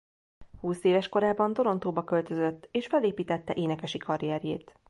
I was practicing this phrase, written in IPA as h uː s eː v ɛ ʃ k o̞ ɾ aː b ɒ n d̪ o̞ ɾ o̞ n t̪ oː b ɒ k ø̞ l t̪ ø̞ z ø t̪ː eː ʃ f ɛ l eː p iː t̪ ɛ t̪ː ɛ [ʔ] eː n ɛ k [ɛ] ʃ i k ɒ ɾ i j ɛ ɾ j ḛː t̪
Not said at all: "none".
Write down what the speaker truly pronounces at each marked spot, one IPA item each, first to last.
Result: ʔ, ɛ

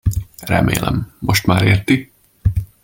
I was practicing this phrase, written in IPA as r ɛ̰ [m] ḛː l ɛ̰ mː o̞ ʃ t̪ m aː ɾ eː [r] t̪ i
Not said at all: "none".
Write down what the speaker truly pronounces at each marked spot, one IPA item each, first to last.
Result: m, r

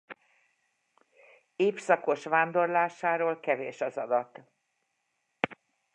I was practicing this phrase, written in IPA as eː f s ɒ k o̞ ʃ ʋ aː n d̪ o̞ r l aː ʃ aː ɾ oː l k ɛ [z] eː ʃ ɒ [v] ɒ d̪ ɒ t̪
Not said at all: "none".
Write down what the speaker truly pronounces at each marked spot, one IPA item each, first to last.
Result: v, z

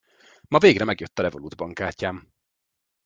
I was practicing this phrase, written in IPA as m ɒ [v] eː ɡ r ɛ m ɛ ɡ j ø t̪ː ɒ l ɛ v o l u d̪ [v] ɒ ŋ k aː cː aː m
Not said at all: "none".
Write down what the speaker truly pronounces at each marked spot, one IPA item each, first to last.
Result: v, b

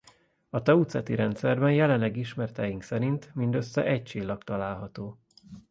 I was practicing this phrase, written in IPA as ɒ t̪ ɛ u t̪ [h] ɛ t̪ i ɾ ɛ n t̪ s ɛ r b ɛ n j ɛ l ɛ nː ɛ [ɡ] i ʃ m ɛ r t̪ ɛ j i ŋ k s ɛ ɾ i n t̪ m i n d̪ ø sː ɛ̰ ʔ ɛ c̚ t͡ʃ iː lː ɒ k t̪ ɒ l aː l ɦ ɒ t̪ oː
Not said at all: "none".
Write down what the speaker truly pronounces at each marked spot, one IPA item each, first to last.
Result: s, ɡ

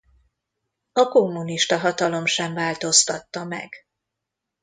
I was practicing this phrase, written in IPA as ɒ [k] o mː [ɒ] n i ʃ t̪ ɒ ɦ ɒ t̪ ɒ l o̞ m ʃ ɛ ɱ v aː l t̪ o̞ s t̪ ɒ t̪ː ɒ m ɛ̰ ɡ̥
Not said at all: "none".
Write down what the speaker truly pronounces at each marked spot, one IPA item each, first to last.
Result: k, u

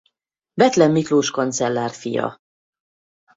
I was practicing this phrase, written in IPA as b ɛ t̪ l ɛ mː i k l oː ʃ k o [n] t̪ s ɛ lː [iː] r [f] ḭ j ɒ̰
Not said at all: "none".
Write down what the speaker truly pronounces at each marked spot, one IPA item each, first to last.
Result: n, aː, f

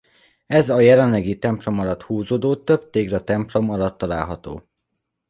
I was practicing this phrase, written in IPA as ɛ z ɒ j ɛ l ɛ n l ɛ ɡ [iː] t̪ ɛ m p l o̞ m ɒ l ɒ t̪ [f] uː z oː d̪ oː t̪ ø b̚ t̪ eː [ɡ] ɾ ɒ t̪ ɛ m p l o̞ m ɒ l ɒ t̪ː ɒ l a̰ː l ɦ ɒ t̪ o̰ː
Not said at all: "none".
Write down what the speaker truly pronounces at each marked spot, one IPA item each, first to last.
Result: i, h, ɡ

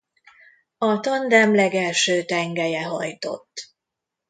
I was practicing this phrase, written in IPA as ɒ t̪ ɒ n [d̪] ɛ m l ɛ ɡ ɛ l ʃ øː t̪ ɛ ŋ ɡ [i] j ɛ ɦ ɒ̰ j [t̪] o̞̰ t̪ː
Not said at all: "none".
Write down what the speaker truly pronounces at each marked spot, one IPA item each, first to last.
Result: d̪, ɛ, t̪

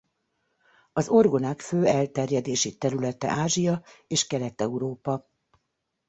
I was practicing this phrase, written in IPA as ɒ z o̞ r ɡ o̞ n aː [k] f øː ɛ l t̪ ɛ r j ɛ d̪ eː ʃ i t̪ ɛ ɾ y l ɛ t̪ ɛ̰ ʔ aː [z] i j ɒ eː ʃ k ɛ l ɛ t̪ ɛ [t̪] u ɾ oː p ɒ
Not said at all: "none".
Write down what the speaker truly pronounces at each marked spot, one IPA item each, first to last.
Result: k, ʒ, none

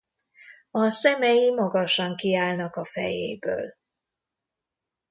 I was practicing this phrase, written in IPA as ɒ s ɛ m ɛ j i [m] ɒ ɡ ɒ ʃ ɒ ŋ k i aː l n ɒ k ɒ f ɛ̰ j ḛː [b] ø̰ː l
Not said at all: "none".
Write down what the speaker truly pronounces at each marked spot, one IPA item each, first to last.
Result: m, b

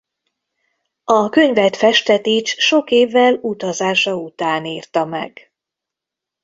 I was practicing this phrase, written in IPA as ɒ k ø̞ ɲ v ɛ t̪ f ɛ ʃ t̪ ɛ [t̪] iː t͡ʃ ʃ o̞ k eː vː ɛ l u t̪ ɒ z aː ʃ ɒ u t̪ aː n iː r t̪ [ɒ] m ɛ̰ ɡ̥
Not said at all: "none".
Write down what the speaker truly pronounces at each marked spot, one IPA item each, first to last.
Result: t̪, ɒ

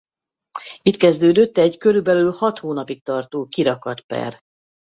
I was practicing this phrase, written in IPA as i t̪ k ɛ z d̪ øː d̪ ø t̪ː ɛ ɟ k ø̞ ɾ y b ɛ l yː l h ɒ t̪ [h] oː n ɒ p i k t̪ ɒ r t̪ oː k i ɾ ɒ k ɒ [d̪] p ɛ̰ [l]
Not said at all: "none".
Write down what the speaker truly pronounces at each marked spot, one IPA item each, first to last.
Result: h, t̪, r

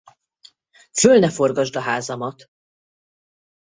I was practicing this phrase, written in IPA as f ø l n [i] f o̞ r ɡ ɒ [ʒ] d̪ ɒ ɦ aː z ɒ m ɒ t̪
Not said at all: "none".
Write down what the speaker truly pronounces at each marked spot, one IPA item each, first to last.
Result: ɛ, ʒ

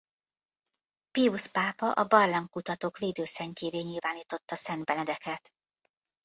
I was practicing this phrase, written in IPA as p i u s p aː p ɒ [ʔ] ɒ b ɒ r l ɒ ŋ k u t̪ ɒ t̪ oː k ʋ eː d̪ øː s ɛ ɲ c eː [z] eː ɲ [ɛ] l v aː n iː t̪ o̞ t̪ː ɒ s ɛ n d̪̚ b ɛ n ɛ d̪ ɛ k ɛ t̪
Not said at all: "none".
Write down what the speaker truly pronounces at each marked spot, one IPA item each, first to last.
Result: ʔ, v, i

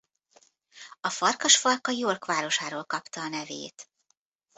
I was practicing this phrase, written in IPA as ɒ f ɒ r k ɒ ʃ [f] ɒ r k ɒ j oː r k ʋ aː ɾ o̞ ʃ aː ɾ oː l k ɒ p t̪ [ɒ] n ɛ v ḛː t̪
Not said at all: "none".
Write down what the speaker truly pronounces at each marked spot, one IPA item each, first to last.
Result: f, ɒː

